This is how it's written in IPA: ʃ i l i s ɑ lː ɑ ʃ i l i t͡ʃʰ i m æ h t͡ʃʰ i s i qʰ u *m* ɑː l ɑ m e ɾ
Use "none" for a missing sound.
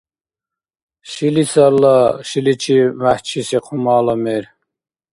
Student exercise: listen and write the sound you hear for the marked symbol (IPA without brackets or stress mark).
m